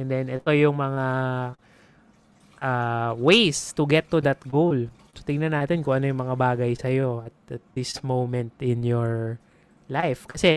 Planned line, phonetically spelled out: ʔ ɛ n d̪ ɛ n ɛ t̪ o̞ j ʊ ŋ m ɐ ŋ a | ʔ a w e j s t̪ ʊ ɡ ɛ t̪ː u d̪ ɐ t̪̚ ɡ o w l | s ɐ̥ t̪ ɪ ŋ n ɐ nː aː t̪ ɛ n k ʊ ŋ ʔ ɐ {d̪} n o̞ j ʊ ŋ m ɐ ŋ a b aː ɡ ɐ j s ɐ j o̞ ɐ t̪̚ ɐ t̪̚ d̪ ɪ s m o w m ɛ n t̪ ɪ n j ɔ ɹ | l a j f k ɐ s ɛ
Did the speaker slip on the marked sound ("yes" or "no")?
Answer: yes